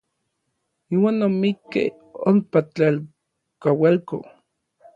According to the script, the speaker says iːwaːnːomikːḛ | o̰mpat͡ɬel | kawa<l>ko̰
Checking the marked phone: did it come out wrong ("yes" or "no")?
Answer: no